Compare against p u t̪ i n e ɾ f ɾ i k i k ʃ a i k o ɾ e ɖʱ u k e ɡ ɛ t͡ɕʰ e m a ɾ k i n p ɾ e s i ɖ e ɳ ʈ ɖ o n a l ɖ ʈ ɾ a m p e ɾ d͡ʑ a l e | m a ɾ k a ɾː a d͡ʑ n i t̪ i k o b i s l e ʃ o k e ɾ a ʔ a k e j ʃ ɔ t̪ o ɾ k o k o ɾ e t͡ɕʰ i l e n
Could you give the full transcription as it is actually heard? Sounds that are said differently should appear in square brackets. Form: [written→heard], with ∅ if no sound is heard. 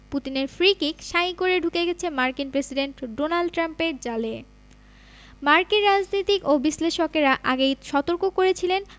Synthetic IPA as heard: p u t̪ i n e ɾ f ɾ i k i k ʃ a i k o ɾ e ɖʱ u k e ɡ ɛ t͡ɕʰ e m a ɾ k i n p ɾ e s i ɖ e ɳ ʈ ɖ o n a l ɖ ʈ ɾ a m p e ɾ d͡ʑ a l e | m a ɾ k [a→i] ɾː a d͡ʑ n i t̪ i k o b i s l e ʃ o k e ɾ a ʔ a [k→ɡ] e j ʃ ɔ t̪ o ɾ k o k o ɾ e t͡ɕʰ i l e n